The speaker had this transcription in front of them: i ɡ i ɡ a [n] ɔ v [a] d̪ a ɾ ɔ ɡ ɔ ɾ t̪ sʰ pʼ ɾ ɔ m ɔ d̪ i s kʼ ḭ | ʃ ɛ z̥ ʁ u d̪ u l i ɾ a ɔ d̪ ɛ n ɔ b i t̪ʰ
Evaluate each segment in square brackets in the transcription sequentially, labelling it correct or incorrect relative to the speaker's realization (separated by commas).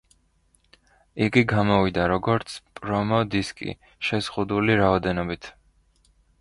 incorrect, incorrect